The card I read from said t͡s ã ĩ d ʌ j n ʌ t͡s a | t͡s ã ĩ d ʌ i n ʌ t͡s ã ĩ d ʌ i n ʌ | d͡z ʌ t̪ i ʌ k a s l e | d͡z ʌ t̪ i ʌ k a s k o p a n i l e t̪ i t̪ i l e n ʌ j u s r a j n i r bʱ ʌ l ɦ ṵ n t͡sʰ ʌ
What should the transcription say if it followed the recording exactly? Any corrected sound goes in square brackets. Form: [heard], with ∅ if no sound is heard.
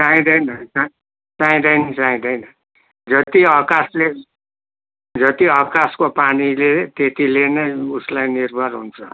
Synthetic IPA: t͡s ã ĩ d ʌ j n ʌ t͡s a | t͡s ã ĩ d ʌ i n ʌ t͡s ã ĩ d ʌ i n ʌ | d͡z ʌ t̪ i ʌ k a s l e | d͡z ʌ t̪ i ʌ k a s k o p a n i l e t̪ [e] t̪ i l e n ʌ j u s [l] a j n i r bʱ ʌ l ɦ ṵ n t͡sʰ ʌ